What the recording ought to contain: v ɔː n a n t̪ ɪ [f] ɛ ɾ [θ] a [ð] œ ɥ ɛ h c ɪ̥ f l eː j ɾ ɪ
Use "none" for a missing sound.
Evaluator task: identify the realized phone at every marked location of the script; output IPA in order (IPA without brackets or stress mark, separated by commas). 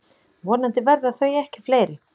v, ð, θ